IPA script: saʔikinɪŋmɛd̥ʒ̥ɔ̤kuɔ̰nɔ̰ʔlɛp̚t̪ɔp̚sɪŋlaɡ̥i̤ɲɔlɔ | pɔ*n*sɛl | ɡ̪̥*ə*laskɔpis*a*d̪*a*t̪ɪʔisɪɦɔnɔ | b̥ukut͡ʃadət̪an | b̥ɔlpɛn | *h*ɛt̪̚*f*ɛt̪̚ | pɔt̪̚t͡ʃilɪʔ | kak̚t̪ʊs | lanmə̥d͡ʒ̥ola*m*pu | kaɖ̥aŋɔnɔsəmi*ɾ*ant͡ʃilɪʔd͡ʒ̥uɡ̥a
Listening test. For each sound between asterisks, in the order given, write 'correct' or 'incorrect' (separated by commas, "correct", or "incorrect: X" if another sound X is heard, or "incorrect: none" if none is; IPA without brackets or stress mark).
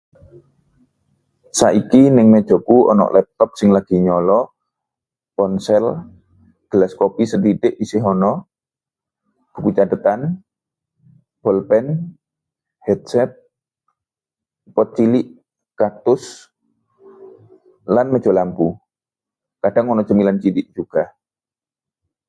correct, correct, incorrect: ə, incorrect: i, correct, incorrect: s, correct, incorrect: l